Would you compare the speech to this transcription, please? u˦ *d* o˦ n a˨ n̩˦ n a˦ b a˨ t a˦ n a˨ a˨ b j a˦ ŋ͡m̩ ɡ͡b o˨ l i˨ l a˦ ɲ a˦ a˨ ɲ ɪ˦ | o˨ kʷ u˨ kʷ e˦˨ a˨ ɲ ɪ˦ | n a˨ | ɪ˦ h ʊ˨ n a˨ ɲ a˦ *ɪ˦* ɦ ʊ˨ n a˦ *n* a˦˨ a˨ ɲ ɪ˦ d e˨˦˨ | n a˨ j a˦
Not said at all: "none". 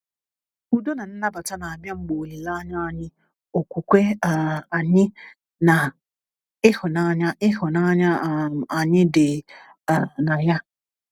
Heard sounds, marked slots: d, ɪ˦, ɲ

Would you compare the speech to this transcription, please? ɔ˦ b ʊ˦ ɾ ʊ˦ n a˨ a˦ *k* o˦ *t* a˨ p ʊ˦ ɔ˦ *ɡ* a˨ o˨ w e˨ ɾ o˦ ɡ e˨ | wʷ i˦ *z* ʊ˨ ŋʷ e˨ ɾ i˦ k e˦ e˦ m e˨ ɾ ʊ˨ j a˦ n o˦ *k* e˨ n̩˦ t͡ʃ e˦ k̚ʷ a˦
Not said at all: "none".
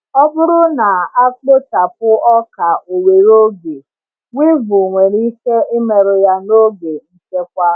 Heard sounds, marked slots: k͡p, t, k, v, ɡ

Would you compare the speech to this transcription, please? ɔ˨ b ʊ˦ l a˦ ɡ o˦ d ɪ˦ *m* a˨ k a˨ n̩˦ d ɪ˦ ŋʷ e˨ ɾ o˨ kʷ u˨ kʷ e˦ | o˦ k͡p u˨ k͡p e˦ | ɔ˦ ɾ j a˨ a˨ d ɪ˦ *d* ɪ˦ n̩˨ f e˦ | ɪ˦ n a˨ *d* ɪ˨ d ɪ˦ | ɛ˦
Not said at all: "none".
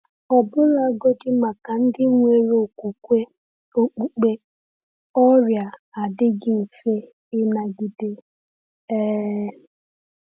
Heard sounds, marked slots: m, ɡ, ɡ

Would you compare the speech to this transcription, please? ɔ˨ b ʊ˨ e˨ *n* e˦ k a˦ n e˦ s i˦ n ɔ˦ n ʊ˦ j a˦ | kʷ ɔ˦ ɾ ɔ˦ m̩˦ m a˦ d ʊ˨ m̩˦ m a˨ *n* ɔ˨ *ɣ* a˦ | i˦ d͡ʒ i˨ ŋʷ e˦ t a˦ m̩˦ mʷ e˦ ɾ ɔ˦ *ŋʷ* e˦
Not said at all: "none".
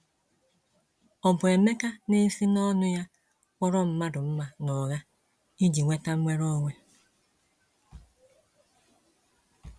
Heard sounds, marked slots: m, n, ɣ, ŋʷ

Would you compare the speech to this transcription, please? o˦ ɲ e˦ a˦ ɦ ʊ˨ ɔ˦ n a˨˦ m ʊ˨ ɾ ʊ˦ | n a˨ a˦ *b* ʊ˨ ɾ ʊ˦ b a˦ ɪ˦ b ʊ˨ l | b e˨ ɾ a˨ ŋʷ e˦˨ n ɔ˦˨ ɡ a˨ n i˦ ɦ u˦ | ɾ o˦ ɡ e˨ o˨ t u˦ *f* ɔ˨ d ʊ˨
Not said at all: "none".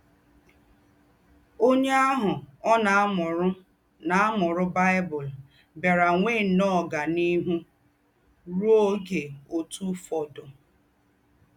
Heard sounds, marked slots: m, f

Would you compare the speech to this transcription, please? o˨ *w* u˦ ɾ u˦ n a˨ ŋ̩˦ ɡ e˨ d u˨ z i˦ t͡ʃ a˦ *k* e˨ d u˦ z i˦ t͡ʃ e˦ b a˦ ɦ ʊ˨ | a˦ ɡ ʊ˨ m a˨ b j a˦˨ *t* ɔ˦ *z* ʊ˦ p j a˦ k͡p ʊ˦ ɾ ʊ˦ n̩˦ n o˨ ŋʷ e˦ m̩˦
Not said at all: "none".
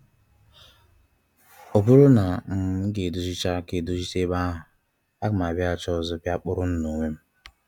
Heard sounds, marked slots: b, k, t͡ʃ, z

